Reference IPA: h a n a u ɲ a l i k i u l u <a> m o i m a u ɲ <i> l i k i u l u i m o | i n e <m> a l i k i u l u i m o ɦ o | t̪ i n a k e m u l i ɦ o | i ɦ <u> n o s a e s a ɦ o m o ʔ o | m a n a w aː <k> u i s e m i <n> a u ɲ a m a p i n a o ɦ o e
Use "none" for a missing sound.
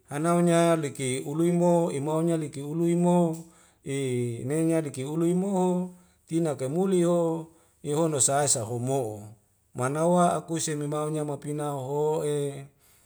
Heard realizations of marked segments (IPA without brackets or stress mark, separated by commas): i, a, ɲ, o, k, m